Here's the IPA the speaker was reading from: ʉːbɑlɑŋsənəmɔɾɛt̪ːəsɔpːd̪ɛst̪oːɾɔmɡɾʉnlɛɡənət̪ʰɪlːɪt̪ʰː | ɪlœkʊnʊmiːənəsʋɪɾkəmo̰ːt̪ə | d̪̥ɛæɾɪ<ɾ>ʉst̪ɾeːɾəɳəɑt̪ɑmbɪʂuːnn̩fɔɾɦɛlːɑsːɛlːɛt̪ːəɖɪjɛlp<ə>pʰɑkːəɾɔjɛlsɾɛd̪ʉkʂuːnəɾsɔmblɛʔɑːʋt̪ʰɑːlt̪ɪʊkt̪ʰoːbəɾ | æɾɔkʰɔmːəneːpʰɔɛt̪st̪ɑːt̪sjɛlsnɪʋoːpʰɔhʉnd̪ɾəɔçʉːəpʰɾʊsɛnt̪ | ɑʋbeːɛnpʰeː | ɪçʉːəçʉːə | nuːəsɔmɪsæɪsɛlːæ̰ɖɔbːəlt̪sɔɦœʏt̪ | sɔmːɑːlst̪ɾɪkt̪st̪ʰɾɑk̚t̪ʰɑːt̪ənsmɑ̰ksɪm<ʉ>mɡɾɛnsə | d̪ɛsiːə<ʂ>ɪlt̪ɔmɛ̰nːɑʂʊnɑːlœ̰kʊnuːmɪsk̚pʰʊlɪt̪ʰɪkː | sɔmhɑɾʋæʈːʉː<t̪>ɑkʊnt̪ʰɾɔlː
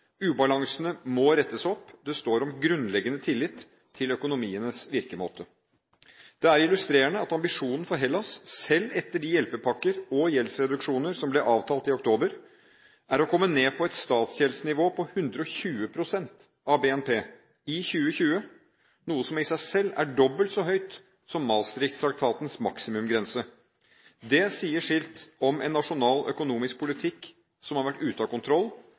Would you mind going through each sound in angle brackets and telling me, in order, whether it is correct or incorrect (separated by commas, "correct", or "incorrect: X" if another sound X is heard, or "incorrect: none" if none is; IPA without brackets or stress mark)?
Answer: incorrect: l, correct, correct, correct, correct